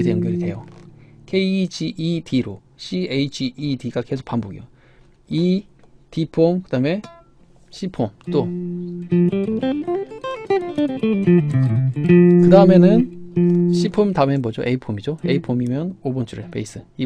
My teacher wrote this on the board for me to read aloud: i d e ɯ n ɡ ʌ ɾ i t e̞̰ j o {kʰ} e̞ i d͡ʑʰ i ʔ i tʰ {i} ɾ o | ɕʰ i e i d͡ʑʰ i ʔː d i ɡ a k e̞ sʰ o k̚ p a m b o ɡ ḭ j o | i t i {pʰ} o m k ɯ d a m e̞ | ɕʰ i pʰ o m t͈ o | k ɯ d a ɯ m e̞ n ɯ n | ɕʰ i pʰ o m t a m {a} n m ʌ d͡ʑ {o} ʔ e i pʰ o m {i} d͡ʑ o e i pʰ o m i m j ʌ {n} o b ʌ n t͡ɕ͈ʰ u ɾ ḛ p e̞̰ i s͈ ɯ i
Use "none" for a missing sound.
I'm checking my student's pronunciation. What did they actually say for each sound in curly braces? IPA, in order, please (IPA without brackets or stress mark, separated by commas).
kʰ, i, pʰ, e, o, i, n